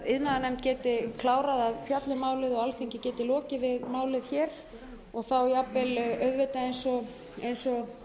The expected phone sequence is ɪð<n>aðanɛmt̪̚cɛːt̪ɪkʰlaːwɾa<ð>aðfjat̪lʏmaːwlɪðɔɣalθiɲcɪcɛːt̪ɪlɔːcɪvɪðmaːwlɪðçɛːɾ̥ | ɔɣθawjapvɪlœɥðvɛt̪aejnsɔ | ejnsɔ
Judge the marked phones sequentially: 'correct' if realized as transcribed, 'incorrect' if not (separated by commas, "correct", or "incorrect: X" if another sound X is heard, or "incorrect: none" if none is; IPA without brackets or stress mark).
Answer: correct, correct